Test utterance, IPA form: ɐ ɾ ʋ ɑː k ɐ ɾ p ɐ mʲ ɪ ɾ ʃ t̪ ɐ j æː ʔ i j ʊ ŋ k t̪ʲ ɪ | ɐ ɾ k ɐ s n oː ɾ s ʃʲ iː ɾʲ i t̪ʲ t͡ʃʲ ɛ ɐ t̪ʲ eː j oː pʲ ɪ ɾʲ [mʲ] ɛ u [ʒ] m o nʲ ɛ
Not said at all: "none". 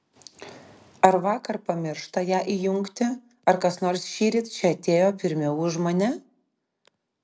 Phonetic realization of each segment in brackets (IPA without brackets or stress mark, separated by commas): mʲ, ʒ